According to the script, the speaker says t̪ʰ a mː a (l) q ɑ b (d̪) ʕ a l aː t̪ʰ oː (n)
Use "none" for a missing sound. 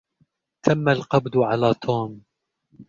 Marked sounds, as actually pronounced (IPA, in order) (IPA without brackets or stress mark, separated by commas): l, d̪, m